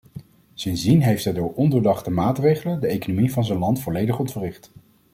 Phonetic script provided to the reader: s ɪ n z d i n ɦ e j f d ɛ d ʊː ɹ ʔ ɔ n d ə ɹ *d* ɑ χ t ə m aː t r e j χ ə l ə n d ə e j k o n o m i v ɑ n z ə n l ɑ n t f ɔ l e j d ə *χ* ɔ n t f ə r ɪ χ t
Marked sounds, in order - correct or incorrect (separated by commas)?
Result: correct, correct